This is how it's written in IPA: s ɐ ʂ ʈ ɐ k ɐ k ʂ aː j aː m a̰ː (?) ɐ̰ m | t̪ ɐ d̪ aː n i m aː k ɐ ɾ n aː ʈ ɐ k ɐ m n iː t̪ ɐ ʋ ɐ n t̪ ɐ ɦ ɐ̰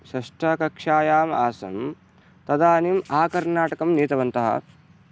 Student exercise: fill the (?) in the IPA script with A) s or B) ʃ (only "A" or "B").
A